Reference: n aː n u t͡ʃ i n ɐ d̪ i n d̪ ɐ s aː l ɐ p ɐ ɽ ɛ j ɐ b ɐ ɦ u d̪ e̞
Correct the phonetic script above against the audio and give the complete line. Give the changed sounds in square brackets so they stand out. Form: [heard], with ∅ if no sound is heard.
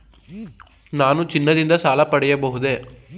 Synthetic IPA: n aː n u t͡ʃ i [nː] ɐ d̪ i n d̪ ɐ s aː l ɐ p ɐ ɽ ɛ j ɐ b ɐ ɦ u d̪ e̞